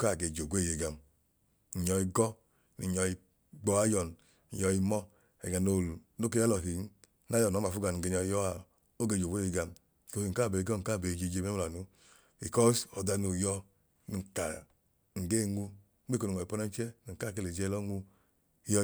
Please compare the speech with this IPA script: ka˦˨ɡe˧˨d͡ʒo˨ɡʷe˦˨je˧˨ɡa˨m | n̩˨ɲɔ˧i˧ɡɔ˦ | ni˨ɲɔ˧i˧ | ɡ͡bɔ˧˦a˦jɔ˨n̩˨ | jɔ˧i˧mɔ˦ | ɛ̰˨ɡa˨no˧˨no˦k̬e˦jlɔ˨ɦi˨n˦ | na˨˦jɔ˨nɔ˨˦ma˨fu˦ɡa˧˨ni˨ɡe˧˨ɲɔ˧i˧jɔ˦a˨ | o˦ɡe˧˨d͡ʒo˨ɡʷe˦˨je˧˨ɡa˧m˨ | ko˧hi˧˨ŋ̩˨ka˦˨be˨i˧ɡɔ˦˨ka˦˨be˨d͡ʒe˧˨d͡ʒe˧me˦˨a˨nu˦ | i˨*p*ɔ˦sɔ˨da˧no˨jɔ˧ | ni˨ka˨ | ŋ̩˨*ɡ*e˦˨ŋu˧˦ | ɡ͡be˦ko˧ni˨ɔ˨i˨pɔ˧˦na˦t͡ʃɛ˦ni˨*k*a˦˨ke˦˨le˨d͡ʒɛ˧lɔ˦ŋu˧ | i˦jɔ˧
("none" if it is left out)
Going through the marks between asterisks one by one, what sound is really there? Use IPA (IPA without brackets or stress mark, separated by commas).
k, ɡ, k